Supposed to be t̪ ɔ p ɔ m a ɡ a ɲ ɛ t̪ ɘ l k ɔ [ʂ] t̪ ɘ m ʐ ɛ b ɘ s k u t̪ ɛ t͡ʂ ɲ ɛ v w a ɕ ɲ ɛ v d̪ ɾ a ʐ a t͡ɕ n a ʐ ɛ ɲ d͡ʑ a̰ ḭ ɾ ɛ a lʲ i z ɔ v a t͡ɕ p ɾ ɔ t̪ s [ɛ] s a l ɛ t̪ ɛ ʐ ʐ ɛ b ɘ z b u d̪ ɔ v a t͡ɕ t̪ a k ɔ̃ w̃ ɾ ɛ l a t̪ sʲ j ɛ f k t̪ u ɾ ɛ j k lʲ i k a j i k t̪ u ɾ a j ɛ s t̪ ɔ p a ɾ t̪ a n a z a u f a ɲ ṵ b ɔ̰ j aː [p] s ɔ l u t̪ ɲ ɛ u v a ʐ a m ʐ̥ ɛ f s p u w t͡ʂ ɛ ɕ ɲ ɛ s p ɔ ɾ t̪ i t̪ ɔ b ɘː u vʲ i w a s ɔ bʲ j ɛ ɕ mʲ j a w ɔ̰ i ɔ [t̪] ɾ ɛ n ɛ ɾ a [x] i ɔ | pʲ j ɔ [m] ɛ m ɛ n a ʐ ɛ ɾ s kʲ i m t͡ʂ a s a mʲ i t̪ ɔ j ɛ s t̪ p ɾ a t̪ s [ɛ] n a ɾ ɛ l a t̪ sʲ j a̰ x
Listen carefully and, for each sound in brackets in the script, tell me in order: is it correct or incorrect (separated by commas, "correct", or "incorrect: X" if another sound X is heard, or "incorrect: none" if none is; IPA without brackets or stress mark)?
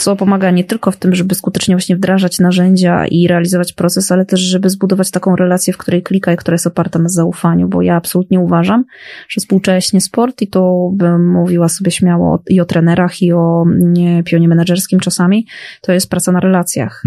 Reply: incorrect: f, correct, correct, correct, correct, incorrect: ɲ, incorrect: a